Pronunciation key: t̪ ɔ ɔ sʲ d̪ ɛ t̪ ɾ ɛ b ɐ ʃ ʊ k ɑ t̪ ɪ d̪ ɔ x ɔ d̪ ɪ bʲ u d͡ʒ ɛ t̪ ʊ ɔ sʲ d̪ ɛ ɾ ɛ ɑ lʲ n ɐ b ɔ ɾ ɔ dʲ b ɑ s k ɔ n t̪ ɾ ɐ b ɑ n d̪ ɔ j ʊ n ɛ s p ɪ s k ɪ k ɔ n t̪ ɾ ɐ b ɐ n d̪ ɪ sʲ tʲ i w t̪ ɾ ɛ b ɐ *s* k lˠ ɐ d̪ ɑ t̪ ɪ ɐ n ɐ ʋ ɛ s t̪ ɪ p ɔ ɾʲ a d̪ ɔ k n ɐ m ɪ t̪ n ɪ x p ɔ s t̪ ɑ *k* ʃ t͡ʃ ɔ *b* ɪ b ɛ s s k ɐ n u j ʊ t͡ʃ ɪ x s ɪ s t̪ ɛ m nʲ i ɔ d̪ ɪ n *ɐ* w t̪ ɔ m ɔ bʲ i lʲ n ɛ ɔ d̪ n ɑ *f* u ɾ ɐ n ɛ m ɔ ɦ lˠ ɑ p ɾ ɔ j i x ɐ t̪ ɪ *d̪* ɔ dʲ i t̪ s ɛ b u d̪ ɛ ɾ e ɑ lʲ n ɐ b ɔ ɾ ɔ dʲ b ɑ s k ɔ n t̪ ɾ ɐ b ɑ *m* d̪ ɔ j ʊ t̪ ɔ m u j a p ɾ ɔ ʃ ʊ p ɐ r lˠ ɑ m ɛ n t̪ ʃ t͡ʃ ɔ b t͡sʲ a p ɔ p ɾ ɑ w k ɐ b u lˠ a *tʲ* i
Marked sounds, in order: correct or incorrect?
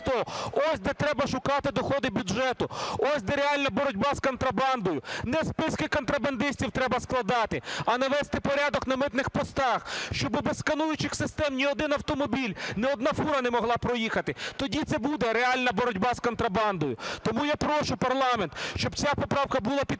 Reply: correct, incorrect: x, correct, correct, correct, incorrect: t̪, incorrect: n, incorrect: pʲ

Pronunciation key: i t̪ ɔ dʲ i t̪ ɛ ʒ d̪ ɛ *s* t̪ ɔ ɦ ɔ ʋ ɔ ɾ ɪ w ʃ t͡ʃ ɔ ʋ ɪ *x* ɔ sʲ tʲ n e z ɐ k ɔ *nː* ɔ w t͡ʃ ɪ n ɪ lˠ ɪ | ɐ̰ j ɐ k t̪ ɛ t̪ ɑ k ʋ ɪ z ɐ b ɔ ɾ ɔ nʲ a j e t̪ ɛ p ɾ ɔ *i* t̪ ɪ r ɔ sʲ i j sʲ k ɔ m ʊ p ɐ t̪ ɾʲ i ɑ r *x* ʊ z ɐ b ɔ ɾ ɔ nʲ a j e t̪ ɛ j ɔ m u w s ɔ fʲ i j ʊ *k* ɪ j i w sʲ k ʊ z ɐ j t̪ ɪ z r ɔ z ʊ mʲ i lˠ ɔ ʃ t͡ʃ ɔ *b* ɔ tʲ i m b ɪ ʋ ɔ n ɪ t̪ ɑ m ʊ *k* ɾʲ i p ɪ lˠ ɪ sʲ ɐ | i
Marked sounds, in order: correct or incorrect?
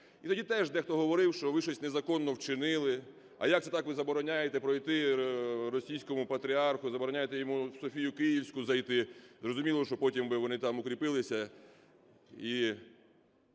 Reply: incorrect: x, incorrect: ʃ, correct, incorrect: j, correct, correct, incorrect: p, correct

